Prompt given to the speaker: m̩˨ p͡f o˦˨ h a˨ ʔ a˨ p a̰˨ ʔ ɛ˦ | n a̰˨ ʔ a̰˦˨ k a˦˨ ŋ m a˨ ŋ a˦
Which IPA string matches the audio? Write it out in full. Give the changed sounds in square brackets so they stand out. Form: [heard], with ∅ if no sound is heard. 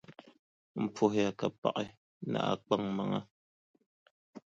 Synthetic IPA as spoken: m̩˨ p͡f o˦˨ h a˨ [k] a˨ p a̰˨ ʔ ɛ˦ | n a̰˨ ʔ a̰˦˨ [k͡p] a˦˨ ŋ m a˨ ŋ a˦

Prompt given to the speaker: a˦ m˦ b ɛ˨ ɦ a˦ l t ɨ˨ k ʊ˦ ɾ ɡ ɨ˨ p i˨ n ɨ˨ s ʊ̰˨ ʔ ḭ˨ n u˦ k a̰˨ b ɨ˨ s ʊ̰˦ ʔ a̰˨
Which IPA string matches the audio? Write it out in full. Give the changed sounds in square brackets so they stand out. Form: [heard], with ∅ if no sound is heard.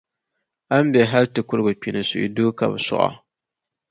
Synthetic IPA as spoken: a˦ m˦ b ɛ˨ ɦ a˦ l t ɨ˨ k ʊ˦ ɾ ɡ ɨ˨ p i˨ n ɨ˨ s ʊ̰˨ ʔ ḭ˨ [d] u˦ k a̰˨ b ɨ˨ s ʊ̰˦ ʔ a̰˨

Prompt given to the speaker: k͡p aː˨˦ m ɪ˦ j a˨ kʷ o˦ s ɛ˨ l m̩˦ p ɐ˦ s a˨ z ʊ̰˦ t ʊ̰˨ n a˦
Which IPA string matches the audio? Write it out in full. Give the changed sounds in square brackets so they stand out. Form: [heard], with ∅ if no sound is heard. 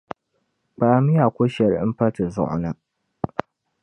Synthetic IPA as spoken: k͡p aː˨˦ m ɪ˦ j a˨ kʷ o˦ [ʃ] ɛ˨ [ɾ] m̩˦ p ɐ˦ [t] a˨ z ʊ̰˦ [ʔ] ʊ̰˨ n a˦

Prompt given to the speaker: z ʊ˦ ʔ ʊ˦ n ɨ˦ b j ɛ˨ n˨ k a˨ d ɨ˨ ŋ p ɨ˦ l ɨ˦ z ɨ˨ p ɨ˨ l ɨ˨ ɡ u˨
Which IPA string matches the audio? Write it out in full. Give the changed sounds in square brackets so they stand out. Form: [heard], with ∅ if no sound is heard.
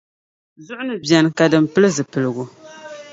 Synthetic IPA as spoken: z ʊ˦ ʔ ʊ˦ n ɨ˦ b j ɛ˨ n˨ k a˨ d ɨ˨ [m] p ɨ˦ l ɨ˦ z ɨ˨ p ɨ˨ l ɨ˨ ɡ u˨

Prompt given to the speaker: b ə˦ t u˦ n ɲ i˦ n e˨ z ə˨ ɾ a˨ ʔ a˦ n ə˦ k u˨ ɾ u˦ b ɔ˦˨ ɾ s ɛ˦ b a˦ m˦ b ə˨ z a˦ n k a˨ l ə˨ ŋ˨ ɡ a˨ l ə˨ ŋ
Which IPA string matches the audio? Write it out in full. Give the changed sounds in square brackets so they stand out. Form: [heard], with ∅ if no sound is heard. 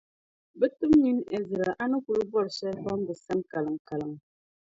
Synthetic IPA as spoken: b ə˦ t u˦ [m] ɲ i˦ n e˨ z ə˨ ɾ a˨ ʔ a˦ n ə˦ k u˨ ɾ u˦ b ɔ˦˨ ɾ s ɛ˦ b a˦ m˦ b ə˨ [s] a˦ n k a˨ l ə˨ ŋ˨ [k] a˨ l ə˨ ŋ

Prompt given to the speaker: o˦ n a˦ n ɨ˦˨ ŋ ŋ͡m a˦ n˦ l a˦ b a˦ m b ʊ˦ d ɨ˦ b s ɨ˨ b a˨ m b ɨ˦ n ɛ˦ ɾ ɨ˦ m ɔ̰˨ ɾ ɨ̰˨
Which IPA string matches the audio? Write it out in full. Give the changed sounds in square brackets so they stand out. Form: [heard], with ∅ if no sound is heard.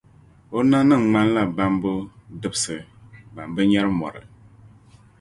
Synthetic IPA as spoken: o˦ n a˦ n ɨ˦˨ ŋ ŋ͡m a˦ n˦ l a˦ b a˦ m b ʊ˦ d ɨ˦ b s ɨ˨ b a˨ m b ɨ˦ [ɲ] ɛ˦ ɾ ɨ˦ m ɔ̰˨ ɾ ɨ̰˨

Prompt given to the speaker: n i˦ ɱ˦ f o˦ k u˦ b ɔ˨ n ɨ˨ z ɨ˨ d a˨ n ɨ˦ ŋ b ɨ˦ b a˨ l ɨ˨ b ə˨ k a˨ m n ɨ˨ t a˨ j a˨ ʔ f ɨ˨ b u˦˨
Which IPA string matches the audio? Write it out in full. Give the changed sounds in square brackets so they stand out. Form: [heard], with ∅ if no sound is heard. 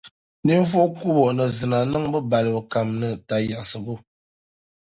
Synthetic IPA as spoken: n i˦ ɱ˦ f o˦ k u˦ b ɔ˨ n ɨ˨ z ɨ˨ [n] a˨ n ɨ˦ ŋ b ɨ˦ b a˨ l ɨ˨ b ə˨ k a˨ m n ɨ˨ t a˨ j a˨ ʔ [s] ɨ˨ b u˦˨

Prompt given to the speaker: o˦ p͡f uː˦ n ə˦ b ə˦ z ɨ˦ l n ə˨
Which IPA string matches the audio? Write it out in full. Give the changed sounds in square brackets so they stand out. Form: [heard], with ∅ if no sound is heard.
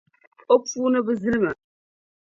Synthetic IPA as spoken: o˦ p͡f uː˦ n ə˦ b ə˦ z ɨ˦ l [m] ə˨

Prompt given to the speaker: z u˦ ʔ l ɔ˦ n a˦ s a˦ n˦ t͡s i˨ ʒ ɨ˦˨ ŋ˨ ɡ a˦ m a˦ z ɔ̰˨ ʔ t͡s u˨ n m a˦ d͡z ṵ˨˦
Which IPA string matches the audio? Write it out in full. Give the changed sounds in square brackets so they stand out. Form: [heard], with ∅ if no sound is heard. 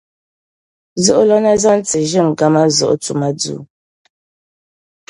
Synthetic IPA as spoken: z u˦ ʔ l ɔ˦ n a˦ [z] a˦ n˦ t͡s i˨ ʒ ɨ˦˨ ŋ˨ ɡ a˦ m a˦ z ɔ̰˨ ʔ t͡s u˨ [∅] m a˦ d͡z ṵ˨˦

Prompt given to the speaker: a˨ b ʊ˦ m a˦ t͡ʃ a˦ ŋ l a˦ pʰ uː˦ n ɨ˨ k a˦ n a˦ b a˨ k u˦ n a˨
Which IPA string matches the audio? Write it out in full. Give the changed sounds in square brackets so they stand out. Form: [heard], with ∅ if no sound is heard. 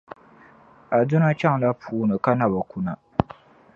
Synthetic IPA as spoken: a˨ [d] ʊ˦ [n] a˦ t͡ʃ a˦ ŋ l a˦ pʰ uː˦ n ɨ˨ k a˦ n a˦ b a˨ k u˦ n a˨

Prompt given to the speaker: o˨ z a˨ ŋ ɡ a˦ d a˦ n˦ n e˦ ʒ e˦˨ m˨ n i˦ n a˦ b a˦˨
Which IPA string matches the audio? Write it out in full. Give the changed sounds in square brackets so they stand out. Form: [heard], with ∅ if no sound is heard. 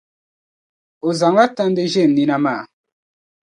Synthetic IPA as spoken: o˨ z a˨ ŋ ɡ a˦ [t] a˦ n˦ [d] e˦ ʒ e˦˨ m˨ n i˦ n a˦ [m] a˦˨

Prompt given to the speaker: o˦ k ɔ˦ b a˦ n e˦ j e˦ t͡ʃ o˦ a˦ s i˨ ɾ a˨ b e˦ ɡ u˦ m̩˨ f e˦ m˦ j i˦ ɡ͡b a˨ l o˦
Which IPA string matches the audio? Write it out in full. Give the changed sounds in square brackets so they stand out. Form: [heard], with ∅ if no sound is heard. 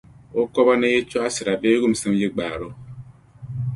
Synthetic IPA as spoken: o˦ k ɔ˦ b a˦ n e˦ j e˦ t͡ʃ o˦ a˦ s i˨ ɾ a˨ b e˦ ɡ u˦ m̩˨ [s] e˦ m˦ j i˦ ɡ͡b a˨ [ɾ] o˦

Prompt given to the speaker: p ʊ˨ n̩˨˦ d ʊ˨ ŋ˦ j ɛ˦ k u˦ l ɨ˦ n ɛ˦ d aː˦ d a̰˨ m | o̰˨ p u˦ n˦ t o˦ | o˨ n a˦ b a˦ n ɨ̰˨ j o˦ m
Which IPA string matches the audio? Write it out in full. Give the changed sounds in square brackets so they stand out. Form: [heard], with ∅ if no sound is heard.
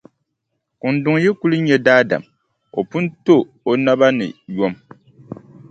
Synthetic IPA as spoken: [k] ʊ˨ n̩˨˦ d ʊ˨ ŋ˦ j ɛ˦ k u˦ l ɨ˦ [ɲ] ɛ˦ d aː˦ d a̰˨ m | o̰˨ p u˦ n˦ t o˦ | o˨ n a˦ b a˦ n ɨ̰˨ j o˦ m

